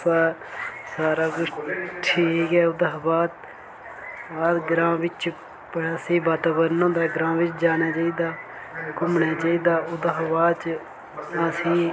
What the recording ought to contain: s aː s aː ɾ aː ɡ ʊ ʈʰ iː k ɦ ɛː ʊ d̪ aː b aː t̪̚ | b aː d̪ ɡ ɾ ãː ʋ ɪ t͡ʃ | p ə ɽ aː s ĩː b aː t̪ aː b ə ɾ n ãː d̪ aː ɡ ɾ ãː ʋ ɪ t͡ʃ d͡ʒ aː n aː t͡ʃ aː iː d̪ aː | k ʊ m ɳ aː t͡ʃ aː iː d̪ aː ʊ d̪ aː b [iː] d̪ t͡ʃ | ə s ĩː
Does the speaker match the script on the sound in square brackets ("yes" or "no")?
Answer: no